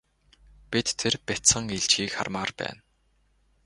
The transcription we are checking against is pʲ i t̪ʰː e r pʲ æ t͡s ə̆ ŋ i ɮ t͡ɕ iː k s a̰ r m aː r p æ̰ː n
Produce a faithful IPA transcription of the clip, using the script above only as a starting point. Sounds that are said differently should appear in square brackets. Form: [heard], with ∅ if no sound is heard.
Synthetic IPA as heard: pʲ i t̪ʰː e r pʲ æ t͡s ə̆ ŋ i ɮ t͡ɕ iː k [χ] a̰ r m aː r p æ̰ː n